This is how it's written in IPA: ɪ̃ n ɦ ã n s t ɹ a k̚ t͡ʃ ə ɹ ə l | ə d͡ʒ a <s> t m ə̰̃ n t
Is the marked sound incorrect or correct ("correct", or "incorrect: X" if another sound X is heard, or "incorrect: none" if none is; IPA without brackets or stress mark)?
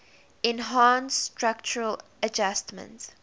correct